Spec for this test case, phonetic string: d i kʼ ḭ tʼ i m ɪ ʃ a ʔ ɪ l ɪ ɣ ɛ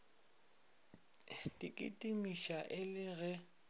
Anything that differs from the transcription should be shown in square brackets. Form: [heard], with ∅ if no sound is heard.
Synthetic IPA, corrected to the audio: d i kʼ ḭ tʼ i m [i] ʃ a ʔ ɪ l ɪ ɣ ɛ

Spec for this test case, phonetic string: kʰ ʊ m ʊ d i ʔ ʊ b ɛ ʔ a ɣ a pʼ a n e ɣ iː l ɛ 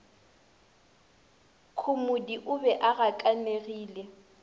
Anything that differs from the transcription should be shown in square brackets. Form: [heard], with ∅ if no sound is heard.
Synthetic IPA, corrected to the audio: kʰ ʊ m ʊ d i ʔ ʊ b ɛ ʔ a ɣ a [kʼ] a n e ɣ iː l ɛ

